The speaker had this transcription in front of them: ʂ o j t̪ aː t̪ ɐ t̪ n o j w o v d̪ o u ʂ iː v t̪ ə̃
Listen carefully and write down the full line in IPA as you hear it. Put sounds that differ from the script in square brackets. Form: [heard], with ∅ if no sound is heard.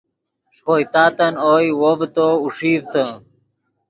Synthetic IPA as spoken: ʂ o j t̪ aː t̪ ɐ [∅] n o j w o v [t̪] o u ʂ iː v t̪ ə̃